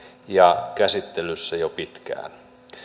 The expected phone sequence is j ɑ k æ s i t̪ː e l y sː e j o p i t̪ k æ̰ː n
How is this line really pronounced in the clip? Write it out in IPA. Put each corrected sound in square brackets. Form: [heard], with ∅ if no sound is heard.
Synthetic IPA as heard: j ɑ k æ s i t̪ː e l y sː [æ] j o p i t̪ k æ̰ː n